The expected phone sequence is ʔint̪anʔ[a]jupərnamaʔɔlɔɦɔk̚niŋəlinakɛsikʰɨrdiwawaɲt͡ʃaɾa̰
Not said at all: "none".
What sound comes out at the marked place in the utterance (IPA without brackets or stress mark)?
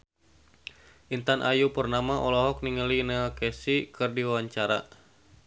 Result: a